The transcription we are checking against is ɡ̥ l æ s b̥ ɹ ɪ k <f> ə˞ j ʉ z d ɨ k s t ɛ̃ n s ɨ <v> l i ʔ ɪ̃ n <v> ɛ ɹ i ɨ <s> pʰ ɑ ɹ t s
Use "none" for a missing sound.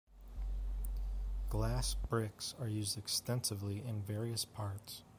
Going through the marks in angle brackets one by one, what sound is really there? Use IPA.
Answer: s, v, v, s

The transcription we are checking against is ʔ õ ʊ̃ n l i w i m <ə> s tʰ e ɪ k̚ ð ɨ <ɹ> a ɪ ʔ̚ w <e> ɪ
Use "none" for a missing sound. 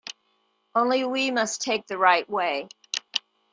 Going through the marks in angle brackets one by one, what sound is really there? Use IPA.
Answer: ʌ, ɹ, e

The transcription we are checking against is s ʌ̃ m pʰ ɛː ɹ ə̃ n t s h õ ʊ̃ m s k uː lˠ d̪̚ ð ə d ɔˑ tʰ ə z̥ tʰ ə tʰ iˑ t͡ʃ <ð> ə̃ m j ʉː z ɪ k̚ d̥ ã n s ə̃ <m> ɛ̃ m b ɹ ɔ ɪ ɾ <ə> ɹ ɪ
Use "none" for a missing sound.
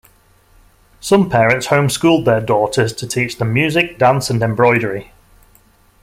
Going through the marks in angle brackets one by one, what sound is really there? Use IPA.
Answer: ð, n, ə

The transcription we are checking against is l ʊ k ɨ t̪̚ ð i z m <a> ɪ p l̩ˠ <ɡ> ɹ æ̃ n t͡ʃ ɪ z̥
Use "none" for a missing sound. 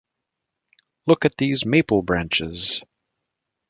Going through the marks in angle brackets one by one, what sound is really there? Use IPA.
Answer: e, b

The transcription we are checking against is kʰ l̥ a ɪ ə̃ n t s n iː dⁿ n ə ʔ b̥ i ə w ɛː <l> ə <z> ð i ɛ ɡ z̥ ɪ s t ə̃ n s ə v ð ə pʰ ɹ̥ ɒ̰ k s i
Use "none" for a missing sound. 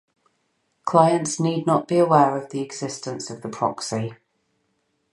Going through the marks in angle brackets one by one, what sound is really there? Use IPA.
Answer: ɹ, v

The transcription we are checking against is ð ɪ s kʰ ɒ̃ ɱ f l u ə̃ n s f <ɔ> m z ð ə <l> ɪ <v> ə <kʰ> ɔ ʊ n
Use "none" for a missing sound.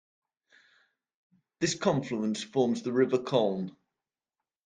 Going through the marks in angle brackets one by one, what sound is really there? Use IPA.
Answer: ɔː, ɹ, v, kʰ

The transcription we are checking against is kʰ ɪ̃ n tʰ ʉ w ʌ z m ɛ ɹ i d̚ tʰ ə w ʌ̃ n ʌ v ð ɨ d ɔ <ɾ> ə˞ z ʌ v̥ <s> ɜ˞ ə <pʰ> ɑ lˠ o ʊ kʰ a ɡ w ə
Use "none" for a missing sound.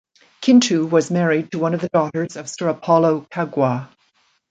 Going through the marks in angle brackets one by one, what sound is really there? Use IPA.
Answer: ɾ, s, pʰ

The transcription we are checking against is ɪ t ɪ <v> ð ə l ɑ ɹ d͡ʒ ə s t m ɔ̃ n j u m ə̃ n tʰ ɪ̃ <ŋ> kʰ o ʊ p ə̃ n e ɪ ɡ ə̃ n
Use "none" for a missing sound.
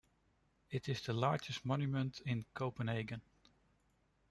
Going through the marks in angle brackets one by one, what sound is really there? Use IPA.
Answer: z, n

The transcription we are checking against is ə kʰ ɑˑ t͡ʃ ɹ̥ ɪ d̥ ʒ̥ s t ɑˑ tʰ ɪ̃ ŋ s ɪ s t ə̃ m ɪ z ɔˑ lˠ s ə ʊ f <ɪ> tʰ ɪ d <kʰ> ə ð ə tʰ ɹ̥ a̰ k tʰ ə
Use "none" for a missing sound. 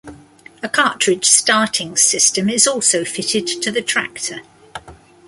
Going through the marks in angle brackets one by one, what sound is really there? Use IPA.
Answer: ɪ, tʰ

